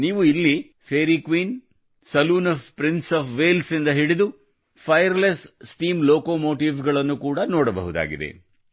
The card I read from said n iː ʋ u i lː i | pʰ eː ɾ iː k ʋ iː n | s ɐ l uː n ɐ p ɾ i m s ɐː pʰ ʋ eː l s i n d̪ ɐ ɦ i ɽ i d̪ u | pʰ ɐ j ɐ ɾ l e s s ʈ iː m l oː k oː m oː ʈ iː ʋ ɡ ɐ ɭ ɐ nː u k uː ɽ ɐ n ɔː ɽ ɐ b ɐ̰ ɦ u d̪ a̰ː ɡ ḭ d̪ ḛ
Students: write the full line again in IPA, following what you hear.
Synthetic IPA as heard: n iː ʋ u i lː i | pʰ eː ɾ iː k ʋ iː n | s ɐ l uː n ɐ p ɾ i n s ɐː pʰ ʋ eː l s i n d̪ ɐ ɦ i ɽ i d̪ u | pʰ ɐ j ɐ ɾ l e s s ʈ iː m l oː k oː m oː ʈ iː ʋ ɡ ɐ ɭ ɐ nː u k uː ɽ ɐ n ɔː ɽ ɐ b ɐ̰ ɦ u d̪ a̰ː ɡ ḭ d̪ ḛ

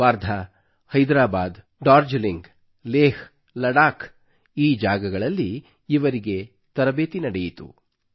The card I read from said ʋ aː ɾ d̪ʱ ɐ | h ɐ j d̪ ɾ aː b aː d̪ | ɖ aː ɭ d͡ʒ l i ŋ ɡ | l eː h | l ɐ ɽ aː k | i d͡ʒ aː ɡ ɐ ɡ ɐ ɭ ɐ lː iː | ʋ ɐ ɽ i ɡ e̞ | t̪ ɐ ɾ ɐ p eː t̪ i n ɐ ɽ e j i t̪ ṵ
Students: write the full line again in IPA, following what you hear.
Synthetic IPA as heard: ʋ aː ɾ d̪ʱ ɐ | h ɐ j d̪ ɾ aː b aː d̪ | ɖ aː ɾ d͡ʒ l i ŋ ɡ | l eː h | l ɐ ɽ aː k | iː d͡ʒ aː ɡ ɐ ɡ ɐ ɭ ɐ lː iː | ʋ ɐ ɾ i ɡ e̞ | t̪ ɐ ɾ ɐ b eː t̪ i n ɐ ɽ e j i t̪ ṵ

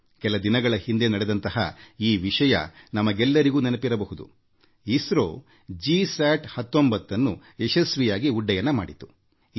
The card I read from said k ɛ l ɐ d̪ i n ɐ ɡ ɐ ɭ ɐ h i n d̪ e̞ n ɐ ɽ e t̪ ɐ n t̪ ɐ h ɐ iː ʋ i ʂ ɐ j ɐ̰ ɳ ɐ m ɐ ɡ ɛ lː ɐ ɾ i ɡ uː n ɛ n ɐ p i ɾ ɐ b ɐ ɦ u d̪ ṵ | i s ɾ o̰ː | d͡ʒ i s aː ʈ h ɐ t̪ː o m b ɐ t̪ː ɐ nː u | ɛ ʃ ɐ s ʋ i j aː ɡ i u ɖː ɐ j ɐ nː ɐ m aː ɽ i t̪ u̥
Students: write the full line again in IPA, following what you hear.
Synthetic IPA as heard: k ɛ l ɐ d̪ i n ɐ ɡ ɐ ɭ ɐ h i n d̪ e̞ n ɐ ɽ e d̪ ɐ n t̪ ɐ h ɐ iː ʋ i ʂ ɐ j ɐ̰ n ɐ m ɐ ɡ ɛ lː ɐ ɾ i ɡ uː n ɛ n ɐ p i ɾ ɐ b ɐ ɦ u d̪ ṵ | i s ɾ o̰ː | d͡ʒ i s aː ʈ h ɐ t̪ː o m b ɐ t̪ː ɐ nː u | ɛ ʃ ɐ s ʋ i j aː ɡ i u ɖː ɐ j ɐ nː ɐ m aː ɽ i t̪ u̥

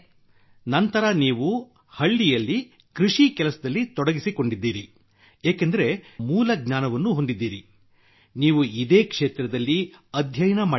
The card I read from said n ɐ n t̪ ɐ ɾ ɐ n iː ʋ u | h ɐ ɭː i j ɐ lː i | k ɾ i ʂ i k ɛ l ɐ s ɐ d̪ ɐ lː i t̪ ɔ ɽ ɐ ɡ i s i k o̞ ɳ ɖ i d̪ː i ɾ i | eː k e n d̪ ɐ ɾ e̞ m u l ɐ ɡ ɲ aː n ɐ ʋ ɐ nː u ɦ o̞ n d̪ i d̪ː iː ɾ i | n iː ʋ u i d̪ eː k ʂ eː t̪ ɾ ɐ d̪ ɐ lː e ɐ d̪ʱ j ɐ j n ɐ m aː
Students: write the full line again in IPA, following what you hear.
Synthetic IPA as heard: n ɐ n t̪ ɐ ɾ ɐ n iː ʋ u | h ɐ ɭː i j ɐ lː i | k ɾ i ʂ i k ɛ l ɐ s ɐ d̪ ɐ lː i t̪ ɔ ɽ ɐ ɡ i s i k o̞ ɳ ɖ i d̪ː iː ɾ i | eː k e n d̪ ɐ ɾ e̞ m uː l ɐ ɡ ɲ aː n ɐ ʋ ɐ nː u ɦ o̞ n d̪ i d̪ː iː ɾ i | n iː ʋ u i d̪ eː k ʂ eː t̪ ɾ ɐ d̪ ɐ lː i ɐ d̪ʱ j ɐ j n ɐ m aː

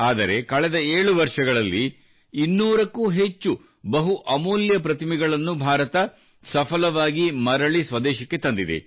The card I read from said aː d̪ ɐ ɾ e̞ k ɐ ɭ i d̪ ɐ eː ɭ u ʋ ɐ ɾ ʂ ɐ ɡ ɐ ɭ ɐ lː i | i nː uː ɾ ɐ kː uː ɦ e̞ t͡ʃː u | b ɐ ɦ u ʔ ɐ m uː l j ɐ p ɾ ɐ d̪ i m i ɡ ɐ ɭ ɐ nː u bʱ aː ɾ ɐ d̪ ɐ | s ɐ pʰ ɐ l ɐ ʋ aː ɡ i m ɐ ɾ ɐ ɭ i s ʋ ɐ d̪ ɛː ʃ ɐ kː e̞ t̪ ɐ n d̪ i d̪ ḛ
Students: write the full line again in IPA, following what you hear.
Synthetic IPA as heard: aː d̪ ɐ ɾ e̞ k ɐ ɭ ɛ d̪ ɐ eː ɭ u ʋ ɐ ɾ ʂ ɐ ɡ ɐ ɭ ɐ lː i | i nː uː ɾ ɐ kː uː ɦ e̞ t͡ʃː u | b ɐ ɦ u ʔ ɐ m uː l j ɐ p ɾ ɐ t̪ i m i ɡ ɐ ɭ ɐ nː u bʱ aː ɾ ɐ t̪ ɐ | s ɐ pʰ ɐ l ɐ ʋ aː ɡ i m ɐ ɾ ɐ ɭ i s ʋ ɐ d̪ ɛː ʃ ɐ kː e̞ t̪ ɐ n d̪ i d̪ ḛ

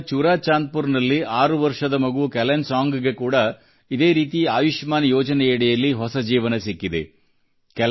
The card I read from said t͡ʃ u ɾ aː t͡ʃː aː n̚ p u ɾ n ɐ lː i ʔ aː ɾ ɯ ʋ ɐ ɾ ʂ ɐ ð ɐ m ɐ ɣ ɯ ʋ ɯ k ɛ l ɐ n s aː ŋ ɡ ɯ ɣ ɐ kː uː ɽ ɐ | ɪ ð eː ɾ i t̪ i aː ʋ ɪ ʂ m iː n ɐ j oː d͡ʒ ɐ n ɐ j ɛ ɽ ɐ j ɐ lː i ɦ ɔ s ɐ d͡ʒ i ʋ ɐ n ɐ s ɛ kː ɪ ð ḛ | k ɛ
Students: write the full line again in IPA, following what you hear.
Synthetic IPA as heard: t͡ʃ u ɾ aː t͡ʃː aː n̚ p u ɾ n ɐ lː i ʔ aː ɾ ɯ ʋ ɐ ɾ ʂ ɐ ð ɐ m ɐ ɣ ɯ ʋ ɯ k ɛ l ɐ n s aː ŋ ɡ ɯ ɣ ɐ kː uː ɽ ɐ | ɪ ð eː ɾ iː t̪ i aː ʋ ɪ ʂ m aː n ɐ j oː d͡ʒ ɐ n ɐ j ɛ ɽ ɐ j ɐ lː i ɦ ɔ s ɐ d͡ʒ iː ʋ ɐ n ɐ s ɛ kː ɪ ð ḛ | k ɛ

